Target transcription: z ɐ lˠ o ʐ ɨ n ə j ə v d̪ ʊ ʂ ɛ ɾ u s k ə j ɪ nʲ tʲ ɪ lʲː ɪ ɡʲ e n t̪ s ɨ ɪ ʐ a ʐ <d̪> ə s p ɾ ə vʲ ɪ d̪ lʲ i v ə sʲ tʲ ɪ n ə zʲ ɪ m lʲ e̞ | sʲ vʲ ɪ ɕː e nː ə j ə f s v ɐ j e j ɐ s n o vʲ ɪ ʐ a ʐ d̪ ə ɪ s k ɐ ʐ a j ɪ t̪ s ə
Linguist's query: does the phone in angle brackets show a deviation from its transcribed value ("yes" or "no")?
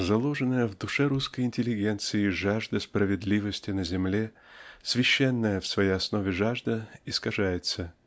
no